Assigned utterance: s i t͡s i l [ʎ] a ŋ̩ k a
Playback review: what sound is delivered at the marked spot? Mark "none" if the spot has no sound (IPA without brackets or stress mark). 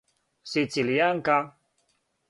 j